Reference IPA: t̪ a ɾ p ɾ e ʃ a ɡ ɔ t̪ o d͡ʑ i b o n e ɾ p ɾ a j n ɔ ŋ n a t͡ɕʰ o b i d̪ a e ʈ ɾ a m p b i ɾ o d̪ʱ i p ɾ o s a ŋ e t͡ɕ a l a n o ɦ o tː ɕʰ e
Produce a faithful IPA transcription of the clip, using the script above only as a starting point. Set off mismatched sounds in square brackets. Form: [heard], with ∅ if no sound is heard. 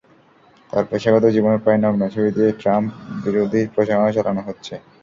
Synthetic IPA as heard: t̪ a ɾ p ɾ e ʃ a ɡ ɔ t̪ o d͡ʑ i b o n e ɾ p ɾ a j n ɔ [ɡ] n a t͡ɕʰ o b i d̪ [i] e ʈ ɾ a m p b i ɾ o d̪ʱ i p ɾ o [ʃ] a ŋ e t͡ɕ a l a n o ɦ o tː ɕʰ e